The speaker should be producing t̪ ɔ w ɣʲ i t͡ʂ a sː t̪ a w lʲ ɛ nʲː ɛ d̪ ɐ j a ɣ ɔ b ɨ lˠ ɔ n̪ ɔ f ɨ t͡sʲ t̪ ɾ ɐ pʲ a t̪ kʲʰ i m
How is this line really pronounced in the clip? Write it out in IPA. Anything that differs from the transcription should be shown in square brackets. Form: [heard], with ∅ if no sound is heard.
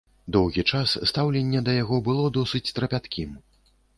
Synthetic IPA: [d̪] ɔ w ɣʲ i t͡ʂ a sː t̪ a w lʲ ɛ nʲː ɛ d̪ ɐ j a ɣ ɔ b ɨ lˠ ɔ [d̪] ɔ [s] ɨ t͡sʲ t̪ ɾ ɐ pʲ a t̪ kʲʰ i m

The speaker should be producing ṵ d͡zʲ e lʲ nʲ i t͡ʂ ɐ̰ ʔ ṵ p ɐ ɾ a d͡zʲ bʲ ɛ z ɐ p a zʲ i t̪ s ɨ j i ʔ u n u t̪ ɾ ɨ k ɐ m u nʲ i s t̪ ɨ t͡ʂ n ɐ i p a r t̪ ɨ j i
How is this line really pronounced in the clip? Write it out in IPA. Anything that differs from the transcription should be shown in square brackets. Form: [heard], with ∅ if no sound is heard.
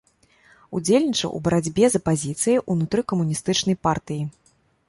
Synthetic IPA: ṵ d͡zʲ e lʲ nʲ i t͡ʂ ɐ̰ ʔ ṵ [b] ɐ ɾ a d͡zʲ bʲ ɛ z ɐ p a zʲ i t̪ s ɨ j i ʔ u n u t̪ ɾ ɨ k ɐ m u nʲ i s t̪ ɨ t͡ʂ n ɐ [j] p a r t̪ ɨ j i

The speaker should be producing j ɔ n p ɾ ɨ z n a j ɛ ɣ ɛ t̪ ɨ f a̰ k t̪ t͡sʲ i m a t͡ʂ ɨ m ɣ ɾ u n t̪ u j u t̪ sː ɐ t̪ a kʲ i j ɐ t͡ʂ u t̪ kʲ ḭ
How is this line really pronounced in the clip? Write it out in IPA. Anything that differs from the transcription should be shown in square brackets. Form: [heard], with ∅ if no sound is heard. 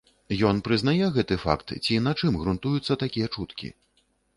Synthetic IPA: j ɔ n p ɾ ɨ z n a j ɛ ɣ ɛ t̪ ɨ f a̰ k t̪ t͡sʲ i [n] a t͡ʂ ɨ m ɣ ɾ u n t̪ u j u t̪ sː ɐ t̪ a kʲ i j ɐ t͡ʂ u t̪ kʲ ḭ

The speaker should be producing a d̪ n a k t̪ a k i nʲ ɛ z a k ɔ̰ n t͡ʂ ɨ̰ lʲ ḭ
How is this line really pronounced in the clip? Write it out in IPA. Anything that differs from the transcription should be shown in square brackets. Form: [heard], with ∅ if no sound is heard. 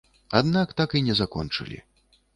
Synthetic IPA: a d̪ n a k t̪ a k i nʲ ɛ z a k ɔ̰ n t͡ʂ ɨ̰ lʲ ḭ

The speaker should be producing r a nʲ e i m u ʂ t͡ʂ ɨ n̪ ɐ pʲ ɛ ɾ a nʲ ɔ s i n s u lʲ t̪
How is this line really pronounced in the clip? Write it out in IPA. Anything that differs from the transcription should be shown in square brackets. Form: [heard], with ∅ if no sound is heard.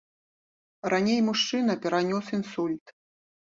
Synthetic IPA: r a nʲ e [j] m u ʂ t͡ʂ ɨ n̪ ɐ pʲ ɛ ɾ a nʲ ɔ s i n s u lʲ t̪

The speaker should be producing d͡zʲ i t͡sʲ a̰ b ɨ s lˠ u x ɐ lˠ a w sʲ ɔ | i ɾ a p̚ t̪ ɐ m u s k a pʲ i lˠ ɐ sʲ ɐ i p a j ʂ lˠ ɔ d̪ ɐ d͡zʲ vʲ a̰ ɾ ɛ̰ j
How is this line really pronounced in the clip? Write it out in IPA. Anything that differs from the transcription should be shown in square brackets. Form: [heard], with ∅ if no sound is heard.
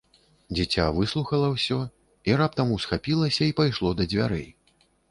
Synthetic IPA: d͡zʲ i t͡sʲ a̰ [v] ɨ s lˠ u x ɐ lˠ [ɐ] w sʲ ɔ | i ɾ a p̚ t̪ ɐ m u s [x] a pʲ i lˠ ɐ sʲ ɐ i p a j ʂ lˠ ɔ d̪ ɐ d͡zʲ vʲ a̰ ɾ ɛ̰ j

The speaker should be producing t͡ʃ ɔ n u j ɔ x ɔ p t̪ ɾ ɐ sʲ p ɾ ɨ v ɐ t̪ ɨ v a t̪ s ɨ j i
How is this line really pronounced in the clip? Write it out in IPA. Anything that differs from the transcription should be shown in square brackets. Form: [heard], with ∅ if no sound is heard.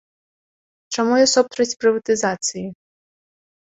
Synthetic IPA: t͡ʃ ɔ [m] u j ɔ [s] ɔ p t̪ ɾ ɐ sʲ p ɾ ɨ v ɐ t̪ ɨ [z] a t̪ s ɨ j i

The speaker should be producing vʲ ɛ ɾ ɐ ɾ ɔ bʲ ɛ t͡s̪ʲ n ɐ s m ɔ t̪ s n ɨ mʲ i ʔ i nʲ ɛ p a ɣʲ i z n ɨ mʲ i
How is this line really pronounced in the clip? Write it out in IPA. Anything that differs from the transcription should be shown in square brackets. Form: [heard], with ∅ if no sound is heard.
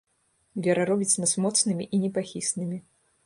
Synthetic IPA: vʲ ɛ ɾ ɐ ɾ ɔ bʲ [i] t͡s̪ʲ n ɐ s m ɔ t̪ s n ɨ mʲ i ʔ i nʲ ɛ p a [xʲ] i [s] n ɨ mʲ i

